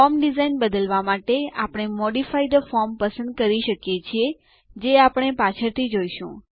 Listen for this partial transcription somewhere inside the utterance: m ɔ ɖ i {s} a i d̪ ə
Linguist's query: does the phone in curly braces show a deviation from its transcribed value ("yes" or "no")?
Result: yes